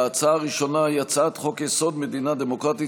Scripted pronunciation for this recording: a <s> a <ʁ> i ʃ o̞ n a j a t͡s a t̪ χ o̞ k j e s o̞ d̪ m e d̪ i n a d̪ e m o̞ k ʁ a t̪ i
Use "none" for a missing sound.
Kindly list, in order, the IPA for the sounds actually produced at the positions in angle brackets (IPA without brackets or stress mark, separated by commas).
t͡s, ʁ